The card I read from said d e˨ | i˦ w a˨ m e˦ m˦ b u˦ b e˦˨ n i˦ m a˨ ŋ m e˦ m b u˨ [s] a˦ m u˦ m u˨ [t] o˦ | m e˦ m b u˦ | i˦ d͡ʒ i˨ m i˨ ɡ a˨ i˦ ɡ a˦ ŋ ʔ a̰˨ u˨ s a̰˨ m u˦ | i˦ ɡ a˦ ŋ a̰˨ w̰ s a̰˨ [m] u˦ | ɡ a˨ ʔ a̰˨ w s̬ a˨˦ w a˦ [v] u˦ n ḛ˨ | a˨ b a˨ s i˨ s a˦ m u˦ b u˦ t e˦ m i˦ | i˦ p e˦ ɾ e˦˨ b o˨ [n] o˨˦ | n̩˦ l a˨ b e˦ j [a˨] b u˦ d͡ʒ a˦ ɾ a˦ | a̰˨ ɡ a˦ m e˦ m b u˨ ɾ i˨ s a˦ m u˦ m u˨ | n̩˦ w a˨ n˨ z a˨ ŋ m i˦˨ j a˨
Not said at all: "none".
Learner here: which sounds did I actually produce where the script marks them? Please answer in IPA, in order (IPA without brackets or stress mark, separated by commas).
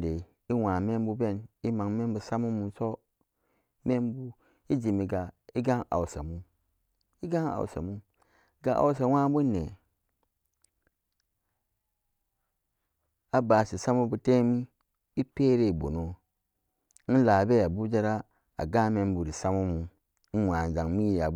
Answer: s, s, m, b, n, a˨